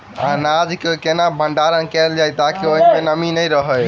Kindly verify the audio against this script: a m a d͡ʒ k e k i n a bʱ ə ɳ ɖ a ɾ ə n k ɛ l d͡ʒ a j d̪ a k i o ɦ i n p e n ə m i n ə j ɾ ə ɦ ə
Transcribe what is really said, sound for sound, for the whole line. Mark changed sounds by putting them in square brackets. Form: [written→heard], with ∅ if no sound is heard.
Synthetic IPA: a [m→n] a d͡ʒ k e k [i→e] n a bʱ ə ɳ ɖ a ɾ ə n k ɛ l d͡ʒ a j [d̪→t̪] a k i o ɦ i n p e n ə m i n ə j ɾ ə ɦ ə

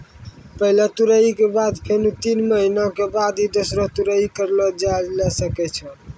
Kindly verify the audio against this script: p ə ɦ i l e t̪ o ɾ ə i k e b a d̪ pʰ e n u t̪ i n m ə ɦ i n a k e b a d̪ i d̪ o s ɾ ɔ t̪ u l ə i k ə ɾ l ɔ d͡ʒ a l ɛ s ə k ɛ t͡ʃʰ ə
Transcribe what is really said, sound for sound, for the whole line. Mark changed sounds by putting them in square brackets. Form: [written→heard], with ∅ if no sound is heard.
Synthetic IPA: p ə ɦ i l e t̪ [o→u] ɾ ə i k e b a d̪ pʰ e n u t̪ i n m ə ɦ i n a k e b a d̪ i d̪ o s ɾ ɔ t̪ u [l→ɾ] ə i k ə ɾ l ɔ d͡ʒ a l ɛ s ə k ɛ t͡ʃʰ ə

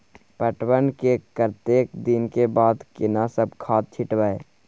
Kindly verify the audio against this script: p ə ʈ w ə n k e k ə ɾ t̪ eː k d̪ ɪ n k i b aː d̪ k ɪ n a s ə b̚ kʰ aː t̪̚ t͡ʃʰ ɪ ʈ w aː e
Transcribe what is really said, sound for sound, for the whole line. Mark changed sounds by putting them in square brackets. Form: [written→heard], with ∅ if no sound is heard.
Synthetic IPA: p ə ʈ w ə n k e k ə ɾ t̪ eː k d̪ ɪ n k [i→e] b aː d̪ k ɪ n a s ə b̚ kʰ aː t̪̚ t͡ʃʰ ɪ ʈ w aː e

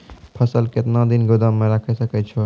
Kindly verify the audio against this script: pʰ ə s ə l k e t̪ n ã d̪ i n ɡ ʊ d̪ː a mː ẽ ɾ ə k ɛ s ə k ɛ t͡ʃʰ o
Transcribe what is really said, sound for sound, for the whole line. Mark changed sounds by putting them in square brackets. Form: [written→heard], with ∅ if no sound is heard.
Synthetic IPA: pʰ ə s ə l k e t̪ n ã d̪ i n ɡ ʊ [d̪ː→d̪] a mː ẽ ɾ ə [k→kʰ] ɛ s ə k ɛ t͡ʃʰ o

